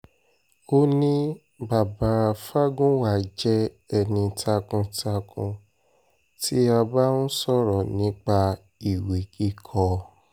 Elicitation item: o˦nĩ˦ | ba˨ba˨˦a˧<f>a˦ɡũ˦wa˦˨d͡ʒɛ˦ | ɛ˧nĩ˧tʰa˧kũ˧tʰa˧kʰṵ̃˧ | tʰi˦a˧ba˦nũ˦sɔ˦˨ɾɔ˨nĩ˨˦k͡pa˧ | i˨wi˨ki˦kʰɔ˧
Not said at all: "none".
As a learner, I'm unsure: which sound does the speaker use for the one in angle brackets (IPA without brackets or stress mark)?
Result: f